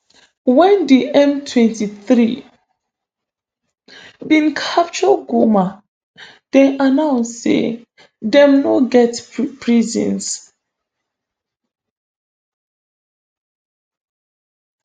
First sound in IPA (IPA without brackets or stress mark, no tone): w